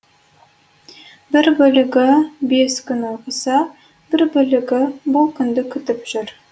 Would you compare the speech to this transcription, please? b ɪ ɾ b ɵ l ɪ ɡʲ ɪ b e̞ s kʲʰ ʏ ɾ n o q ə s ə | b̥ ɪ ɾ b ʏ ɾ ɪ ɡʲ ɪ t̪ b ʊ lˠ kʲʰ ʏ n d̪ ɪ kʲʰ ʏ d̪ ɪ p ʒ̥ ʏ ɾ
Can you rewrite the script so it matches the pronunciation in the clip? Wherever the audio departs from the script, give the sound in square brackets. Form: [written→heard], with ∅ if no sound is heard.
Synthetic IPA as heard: b ɪ ɾ b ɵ l ɪ ɡʲ ɪ b e̞ s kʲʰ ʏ [ɾ→∅] n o q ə s [ə→ɑ] | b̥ ɪ ɾ b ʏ [ɾ→l] ɪ ɡʲ ɪ [t̪→∅] b ʊ lˠ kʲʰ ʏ n d̪ ɪ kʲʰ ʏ [d̪→t̪] ɪ p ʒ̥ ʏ ɾ